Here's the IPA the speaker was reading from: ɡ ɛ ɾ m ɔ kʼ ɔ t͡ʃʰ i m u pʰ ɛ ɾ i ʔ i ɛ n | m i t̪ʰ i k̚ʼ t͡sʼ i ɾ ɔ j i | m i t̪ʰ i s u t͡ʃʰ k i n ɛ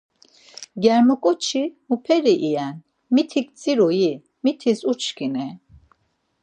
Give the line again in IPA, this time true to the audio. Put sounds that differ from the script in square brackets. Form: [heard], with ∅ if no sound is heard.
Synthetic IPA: ɡ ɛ ɾ m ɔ kʼ ɔ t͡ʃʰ i m u pʰ ɛ ɾ i ʔ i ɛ n | m i t̪ʰ i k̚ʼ t͡sʼ i ɾ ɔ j i | m i t̪ʰ i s u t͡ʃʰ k i n ɛ